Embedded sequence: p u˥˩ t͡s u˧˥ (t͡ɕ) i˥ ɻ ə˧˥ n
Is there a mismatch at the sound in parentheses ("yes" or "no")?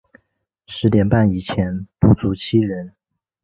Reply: yes